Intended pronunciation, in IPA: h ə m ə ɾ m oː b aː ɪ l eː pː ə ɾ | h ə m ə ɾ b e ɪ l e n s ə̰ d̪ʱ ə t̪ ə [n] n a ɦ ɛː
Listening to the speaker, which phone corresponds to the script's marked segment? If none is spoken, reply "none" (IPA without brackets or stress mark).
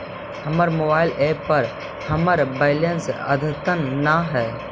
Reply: n